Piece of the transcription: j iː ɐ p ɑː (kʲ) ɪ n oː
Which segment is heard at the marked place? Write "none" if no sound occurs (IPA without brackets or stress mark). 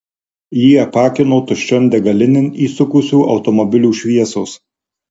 kʲ